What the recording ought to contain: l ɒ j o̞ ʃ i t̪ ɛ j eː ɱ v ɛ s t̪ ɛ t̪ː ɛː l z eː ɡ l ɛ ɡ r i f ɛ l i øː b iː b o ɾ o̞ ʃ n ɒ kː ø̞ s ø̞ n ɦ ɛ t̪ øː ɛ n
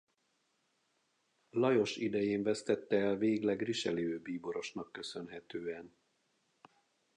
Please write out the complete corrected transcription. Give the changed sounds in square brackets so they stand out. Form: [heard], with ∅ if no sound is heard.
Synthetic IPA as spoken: l ɒ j o̞ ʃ i [d̪] ɛ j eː ɱ v ɛ s t̪ ɛ t̪ː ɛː l [v] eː ɡ l ɛ ɡ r i [ʃ] ɛ l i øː b iː b o ɾ o̞ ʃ n ɒ kː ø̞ s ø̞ n ɦ ɛ t̪ øː ɛ n